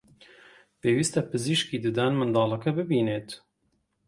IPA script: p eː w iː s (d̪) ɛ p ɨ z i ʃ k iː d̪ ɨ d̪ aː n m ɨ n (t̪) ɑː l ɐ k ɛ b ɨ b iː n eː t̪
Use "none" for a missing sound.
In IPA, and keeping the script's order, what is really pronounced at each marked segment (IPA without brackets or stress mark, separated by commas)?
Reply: t̪, d̪